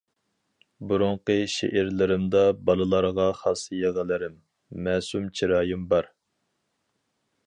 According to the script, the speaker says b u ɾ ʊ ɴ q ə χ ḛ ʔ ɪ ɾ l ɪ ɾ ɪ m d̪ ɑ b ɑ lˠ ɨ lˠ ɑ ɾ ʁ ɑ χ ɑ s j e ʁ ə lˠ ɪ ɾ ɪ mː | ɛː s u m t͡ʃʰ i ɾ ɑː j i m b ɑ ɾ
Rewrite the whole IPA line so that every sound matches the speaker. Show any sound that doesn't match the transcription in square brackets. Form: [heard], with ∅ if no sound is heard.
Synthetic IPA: b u ɾ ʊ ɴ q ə [ʃ] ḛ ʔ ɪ ɾ l ɪ ɾ ɪ m d̪ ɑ b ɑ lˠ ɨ lˠ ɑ ɾ ʁ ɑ χ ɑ s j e ʁ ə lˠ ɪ ɾ ɪ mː | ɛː s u m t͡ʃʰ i ɾ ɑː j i m b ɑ ɾ